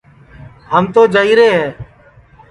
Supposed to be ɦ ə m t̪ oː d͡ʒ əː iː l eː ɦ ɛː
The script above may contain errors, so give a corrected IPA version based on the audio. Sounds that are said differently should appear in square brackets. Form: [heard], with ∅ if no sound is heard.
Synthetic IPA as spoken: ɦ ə m t̪ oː d͡ʒ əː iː [ɾ] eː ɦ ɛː